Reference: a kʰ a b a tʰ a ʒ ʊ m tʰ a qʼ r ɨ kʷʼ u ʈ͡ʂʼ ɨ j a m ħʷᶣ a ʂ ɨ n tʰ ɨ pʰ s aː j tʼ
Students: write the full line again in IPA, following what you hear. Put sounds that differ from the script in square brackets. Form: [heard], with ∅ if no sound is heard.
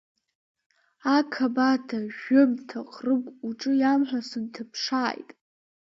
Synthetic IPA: a kʰ a b a tʰ a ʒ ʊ m tʰ a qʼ r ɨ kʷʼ u ʈ͡ʂʼ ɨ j a m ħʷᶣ a [s] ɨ n tʰ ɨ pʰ [ʂ] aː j tʼ